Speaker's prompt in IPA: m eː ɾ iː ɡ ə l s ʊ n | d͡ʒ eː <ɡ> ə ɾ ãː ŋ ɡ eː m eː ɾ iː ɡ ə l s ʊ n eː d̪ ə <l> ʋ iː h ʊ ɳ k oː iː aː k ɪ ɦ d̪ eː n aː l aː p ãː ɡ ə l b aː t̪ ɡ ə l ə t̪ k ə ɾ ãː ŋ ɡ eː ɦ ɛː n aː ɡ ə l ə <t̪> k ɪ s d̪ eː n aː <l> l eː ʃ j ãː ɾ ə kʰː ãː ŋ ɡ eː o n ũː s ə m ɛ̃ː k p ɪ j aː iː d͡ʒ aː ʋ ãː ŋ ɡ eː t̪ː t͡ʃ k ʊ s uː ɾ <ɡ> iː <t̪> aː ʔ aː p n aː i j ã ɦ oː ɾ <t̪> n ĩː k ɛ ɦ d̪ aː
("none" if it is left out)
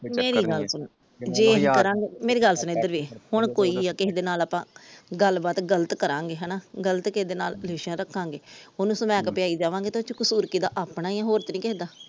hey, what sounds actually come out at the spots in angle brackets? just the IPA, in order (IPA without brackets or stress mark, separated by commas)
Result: k, ɾ, t̪, l, k, d̪, t̪